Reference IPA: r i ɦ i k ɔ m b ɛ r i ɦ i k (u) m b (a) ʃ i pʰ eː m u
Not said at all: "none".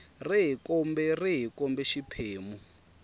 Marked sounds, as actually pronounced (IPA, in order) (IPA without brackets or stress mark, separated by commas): ɔ, ɛ